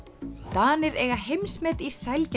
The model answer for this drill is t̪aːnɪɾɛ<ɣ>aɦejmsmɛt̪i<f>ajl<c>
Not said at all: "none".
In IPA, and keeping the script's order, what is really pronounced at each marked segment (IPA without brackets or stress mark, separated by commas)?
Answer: ɣ, s, c